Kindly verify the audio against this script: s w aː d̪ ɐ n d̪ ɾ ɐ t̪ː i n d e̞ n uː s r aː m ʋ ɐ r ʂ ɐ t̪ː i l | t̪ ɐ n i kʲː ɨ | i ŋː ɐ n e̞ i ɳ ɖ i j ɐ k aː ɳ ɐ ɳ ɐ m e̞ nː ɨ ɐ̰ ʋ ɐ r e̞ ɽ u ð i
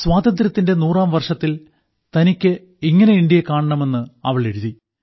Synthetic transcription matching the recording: s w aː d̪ ɐ n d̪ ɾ ɐ t̪ː i n d e̞ n uː r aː m ʋ ɐ r ʂ ɐ t̪ː i l | t̪ ɐ n i kʲː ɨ | i ŋː ɐ n e̞ i ɳ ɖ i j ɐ k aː ɳ ɐ ɳ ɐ m e̞ nː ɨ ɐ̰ ʋ ɐ ɭ e̞ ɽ u ð i